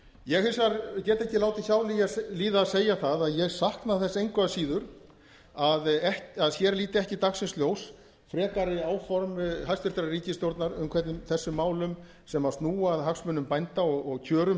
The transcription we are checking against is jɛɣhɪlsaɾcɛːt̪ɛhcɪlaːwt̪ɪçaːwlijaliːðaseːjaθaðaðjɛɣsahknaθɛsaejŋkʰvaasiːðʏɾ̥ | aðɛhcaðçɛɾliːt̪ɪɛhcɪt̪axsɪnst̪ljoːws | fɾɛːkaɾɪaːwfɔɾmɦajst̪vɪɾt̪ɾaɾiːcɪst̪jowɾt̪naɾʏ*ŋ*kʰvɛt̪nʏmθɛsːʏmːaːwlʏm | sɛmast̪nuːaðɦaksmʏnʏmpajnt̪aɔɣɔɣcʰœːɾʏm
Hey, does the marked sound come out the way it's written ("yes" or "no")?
no